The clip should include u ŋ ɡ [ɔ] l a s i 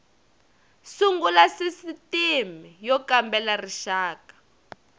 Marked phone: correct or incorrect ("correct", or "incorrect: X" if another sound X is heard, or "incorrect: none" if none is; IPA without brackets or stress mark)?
incorrect: u